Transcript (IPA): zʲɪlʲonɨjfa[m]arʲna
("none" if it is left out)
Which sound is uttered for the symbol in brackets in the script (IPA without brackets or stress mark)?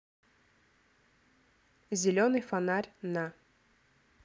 n